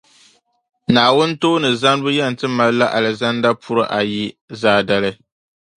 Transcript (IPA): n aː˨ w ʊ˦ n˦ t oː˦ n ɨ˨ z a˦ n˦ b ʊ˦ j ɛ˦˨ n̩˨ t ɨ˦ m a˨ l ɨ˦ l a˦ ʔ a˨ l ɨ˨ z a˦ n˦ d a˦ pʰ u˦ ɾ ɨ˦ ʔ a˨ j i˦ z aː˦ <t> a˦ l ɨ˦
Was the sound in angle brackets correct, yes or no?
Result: no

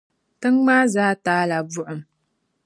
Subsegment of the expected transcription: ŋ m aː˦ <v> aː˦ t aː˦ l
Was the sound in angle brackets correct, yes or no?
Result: no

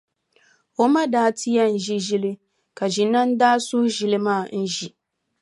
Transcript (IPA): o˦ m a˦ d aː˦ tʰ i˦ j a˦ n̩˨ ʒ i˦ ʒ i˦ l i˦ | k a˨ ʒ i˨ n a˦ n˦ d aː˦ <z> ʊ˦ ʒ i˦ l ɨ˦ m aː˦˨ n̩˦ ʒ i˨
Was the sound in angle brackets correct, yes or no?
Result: no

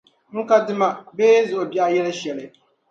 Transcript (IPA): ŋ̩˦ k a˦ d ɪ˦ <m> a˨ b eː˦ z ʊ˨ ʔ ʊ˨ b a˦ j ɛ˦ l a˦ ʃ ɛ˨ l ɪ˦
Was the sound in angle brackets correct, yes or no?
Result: yes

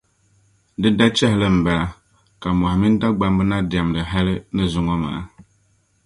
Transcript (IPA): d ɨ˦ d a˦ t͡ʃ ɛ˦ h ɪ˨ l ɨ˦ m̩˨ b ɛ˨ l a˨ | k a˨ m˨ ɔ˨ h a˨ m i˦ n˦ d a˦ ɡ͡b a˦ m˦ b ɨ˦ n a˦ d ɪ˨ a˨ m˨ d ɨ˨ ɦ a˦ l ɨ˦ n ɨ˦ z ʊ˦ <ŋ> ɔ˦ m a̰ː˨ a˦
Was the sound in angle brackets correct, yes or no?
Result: yes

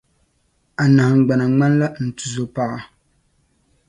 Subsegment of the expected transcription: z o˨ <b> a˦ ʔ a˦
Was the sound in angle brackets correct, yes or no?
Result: no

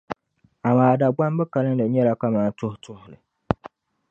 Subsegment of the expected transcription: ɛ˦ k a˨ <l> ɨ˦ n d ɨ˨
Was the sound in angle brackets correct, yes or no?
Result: yes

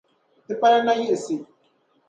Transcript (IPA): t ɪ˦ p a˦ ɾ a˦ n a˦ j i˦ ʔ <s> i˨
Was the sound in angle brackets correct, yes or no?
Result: yes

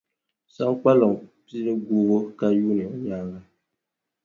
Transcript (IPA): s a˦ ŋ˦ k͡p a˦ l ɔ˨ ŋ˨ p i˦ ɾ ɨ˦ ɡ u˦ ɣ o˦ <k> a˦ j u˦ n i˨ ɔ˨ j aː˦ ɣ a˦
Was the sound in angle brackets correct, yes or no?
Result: yes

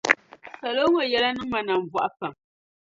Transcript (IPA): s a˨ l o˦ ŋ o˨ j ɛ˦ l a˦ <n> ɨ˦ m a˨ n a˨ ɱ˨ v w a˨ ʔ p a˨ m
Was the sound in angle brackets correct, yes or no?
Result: yes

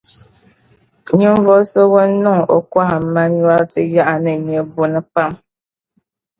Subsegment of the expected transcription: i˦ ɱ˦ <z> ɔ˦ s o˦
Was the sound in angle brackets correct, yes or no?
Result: no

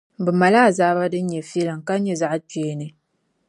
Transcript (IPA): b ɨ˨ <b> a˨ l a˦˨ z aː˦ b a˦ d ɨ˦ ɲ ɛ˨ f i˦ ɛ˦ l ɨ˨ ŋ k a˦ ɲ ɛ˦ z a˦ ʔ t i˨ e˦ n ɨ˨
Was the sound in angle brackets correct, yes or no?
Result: no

